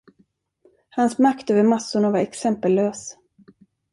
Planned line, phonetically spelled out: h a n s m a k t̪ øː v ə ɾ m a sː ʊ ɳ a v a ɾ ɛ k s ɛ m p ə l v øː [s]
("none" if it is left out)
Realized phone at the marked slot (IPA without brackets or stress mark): s